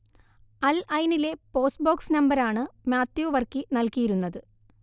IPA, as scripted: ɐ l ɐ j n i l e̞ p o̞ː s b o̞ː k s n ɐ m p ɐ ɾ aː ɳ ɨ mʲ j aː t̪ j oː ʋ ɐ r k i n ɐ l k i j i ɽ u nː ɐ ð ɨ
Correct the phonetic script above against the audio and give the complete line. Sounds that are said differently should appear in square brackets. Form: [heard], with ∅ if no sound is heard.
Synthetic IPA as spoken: ɐ l ɐ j n i l e̞ p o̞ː s b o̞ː k s n ɐ m [b] ɐ ɾ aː ɳ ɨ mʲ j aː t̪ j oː ʋ ɐ r k i n ɐ l k i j i [ɾ] u nː ɐ ð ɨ